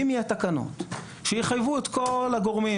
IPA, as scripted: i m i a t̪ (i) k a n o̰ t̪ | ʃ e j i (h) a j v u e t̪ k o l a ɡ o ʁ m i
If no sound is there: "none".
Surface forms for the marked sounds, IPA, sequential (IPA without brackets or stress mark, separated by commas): a, χ